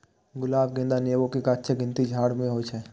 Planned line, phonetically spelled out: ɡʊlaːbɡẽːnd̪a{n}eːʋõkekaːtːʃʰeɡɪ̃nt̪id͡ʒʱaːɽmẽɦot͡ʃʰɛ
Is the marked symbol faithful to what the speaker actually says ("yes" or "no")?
yes